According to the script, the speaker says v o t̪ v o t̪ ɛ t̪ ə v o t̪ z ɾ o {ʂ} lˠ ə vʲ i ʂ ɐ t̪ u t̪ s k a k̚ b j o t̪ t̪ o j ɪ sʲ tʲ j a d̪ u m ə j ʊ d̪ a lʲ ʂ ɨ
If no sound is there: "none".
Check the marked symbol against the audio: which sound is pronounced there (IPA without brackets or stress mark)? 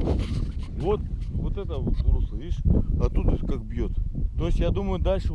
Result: s